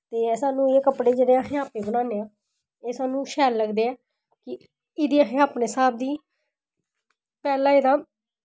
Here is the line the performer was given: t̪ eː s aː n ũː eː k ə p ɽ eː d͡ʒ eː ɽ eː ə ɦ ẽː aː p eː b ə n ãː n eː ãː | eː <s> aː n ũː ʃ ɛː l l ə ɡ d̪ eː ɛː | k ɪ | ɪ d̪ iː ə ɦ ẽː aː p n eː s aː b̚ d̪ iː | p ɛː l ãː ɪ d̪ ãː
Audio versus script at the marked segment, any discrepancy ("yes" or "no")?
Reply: no